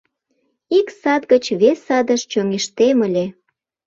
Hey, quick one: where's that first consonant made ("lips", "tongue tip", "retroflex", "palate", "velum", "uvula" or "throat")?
velum